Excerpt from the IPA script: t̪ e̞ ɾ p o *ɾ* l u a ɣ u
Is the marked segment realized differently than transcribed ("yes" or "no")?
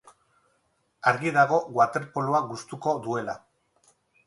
yes